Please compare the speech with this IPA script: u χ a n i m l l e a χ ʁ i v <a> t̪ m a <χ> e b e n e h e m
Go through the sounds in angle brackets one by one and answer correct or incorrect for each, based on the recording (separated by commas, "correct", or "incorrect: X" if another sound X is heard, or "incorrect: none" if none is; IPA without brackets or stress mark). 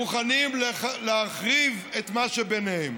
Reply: incorrect: e, incorrect: ʃ